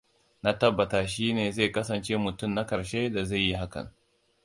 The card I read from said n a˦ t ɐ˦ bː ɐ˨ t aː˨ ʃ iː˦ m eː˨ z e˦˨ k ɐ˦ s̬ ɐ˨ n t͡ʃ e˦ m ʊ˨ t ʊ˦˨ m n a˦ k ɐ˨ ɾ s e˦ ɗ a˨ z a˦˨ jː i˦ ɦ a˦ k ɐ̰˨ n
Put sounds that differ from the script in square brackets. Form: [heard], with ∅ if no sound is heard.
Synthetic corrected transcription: n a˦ t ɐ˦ bː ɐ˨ t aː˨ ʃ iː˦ [n] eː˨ z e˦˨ k ɐ˦ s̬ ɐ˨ n t͡ʃ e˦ m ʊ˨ t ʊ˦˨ m n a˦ k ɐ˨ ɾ [ʃ] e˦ [d] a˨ z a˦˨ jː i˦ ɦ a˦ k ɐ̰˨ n